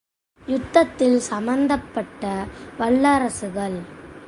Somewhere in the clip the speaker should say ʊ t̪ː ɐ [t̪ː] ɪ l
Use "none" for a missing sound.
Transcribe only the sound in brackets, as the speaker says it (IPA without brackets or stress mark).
t̪ː